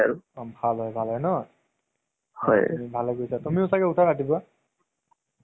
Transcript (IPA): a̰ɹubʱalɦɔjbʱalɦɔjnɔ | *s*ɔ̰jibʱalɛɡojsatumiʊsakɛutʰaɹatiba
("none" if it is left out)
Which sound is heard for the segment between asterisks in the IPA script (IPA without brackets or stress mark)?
h